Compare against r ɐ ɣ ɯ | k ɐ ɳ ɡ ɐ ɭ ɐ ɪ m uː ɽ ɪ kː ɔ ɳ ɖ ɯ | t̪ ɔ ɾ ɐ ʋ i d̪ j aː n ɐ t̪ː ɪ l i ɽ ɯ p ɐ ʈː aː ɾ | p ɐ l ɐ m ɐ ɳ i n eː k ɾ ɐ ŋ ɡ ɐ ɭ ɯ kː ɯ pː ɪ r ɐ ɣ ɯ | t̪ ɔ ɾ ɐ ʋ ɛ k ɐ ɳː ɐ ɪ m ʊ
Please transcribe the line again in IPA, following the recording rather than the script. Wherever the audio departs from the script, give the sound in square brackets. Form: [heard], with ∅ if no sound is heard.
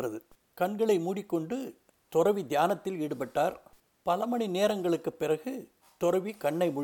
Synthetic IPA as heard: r ɐ [ð] ɯ | k ɐ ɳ ɡ ɐ ɭ ɐ ɪ m uː ɽ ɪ kː ɔ ɳ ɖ ɯ | t̪ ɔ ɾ ɐ ʋ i d̪ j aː n ɐ t̪ː ɪ l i ɽ ɯ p ɐ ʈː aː ɾ | p ɐ l ɐ m ɐ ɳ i n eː [∅] ɾ ɐ ŋ ɡ ɐ ɭ ɯ kː ɯ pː ɪ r ɐ ɣ ɯ | t̪ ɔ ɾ ɐ ʋ [i] k ɐ ɳː ɐ ɪ m ʊ